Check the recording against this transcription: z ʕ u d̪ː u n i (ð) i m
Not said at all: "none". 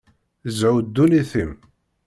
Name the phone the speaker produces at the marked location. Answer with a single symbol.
θ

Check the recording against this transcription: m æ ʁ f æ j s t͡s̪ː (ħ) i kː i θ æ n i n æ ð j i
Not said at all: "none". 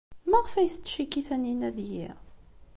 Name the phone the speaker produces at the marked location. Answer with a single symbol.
ʃ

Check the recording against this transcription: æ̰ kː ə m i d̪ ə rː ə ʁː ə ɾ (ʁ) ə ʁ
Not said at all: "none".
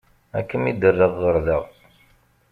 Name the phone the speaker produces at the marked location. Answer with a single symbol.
ð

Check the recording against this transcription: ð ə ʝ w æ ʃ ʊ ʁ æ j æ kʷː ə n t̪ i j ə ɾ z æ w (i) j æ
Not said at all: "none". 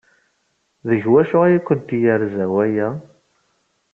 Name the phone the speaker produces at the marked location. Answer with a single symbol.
æ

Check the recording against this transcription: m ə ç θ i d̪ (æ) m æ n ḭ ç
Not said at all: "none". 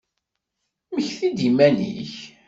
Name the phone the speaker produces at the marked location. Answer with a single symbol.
i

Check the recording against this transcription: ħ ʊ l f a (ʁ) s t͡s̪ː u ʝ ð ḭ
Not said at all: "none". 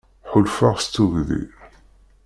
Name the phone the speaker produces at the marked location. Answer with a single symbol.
ʁ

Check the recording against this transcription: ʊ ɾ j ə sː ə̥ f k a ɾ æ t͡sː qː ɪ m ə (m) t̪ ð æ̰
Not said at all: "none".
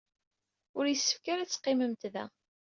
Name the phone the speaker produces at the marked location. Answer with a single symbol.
m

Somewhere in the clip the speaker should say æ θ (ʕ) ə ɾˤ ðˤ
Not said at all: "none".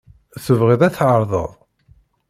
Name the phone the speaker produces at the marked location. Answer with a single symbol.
ʕ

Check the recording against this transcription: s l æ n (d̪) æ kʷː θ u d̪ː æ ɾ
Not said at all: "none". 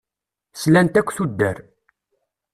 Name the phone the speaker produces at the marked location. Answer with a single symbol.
t̪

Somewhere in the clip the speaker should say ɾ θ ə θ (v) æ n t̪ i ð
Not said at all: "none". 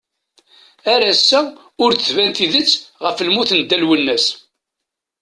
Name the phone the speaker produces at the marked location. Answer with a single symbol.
v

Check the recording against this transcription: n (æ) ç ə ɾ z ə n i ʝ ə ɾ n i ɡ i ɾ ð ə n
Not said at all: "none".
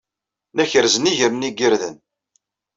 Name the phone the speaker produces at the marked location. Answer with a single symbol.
æ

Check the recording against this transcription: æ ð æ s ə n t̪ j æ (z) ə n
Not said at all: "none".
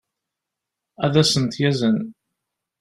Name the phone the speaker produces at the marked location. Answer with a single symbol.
z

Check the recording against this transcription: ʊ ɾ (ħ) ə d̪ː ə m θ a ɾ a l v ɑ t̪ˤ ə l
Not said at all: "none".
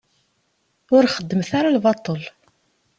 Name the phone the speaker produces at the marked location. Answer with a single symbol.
χ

